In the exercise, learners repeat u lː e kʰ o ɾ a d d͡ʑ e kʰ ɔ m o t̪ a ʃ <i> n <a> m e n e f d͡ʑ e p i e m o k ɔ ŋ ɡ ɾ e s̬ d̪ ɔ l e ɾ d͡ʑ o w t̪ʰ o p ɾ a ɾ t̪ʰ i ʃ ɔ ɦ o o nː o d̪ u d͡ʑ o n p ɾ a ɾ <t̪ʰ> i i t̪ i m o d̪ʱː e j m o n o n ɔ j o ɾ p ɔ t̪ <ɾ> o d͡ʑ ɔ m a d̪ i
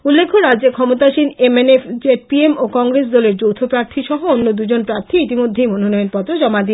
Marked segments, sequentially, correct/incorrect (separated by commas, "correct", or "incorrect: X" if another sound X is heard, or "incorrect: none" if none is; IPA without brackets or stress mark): correct, incorrect: e, correct, correct